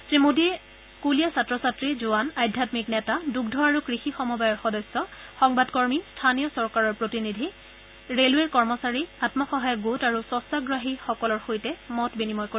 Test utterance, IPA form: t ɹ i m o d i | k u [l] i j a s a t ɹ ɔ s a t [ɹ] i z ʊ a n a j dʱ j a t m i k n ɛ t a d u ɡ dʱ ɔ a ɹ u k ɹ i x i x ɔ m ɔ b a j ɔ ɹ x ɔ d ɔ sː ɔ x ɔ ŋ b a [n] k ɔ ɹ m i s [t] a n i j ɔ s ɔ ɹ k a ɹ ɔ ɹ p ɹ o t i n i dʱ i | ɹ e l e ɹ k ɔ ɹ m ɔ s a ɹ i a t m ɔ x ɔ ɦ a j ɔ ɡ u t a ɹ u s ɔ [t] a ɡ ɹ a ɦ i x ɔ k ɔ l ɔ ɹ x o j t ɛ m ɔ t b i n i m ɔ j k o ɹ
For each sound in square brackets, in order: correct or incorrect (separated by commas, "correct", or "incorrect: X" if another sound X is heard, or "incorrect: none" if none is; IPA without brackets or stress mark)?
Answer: correct, correct, incorrect: d, incorrect: tʰ, incorrect: s